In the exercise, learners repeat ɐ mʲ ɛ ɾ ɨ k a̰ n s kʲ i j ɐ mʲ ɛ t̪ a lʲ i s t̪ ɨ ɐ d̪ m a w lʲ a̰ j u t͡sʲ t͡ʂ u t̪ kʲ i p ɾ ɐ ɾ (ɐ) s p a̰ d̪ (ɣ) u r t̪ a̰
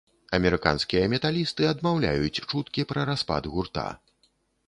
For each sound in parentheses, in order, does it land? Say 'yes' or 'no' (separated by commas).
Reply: no, yes